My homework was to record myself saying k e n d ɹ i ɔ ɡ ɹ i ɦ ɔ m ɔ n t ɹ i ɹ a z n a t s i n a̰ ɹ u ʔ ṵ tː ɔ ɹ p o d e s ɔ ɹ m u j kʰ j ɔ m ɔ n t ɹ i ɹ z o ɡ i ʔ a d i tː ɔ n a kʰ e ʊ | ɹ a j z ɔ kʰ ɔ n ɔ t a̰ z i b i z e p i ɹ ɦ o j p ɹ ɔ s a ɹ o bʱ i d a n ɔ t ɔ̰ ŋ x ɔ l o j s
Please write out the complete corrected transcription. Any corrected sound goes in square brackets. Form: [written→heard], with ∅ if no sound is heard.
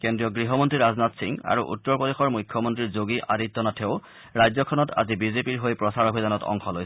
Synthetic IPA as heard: k e n d ɹ i ɔ ɡ ɹ i ɦ ɔ m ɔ n t ɹ i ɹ a z n a t s i [n→ŋ] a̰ ɹ u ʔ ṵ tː ɔ ɹ p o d e [s→x] ɔ ɹ m u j kʰ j ɔ m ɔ n t ɹ i ɹ z o ɡ i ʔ a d i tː ɔ n a [kʰ→tʰ] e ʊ | ɹ a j z ɔ kʰ ɔ n ɔ t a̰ z i b i z e p i ɹ ɦ o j p ɹ ɔ s a ɹ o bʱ i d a n ɔ t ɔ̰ ŋ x ɔ l o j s